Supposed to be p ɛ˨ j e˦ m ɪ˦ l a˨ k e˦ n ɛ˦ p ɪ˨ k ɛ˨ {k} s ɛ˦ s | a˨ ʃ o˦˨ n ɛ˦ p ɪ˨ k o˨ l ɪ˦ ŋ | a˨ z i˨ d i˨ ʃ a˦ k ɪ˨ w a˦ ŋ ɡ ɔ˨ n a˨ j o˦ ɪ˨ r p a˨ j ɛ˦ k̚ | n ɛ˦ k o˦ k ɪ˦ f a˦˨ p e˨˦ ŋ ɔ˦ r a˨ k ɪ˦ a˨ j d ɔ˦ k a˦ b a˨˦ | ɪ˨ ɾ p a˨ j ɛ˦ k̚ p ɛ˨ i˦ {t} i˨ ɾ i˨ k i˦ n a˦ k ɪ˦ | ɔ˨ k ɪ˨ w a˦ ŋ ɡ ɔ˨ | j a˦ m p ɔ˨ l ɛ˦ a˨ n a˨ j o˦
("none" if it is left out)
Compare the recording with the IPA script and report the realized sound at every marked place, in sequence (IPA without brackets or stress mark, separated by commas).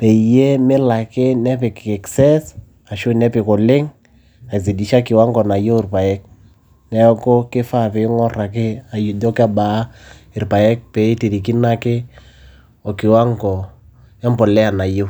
k, t